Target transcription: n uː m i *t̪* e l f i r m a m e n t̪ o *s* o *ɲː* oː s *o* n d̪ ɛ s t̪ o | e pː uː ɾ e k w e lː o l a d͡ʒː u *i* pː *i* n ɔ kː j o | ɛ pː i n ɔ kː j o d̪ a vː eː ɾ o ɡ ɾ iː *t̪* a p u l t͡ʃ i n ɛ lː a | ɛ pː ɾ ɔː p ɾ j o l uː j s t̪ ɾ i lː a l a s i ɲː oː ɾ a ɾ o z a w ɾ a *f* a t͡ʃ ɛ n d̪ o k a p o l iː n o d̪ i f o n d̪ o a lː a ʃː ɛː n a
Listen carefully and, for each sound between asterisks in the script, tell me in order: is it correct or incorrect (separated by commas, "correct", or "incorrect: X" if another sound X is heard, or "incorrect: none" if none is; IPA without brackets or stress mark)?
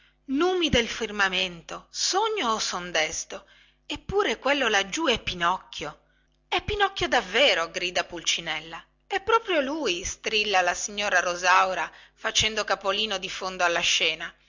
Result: incorrect: d̪, correct, correct, correct, incorrect: ɛ, correct, incorrect: d̪, correct